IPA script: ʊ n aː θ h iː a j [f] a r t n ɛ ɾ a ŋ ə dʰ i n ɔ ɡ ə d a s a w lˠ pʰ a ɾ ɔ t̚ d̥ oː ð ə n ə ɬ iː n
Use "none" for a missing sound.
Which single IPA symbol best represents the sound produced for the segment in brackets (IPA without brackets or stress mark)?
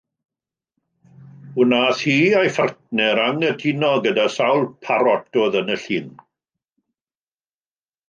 f